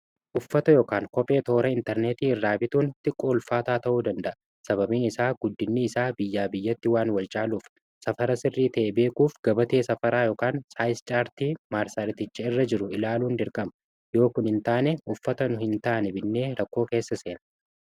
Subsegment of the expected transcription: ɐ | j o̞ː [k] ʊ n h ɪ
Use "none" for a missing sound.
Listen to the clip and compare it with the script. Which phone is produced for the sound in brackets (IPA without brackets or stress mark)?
k